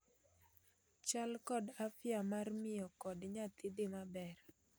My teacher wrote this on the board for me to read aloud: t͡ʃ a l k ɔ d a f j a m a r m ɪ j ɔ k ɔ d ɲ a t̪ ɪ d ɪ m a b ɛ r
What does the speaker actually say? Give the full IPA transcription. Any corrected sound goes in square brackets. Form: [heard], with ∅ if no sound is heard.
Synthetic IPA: t͡ʃ a l k ɔ d a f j a m a r m ɪ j ɔ k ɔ d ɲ a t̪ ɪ d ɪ m a b ɛ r